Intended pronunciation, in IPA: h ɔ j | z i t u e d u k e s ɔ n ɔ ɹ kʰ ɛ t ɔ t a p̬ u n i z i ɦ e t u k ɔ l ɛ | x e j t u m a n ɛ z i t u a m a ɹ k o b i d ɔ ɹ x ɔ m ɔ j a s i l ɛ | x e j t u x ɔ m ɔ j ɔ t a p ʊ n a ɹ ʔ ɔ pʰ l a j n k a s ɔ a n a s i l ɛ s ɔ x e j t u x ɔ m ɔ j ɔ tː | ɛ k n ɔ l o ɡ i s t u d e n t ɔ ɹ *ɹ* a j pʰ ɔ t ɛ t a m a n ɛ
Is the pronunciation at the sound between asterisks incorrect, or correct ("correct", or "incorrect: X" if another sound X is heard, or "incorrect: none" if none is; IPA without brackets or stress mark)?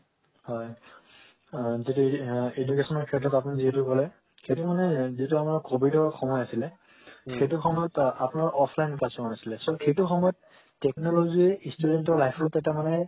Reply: incorrect: l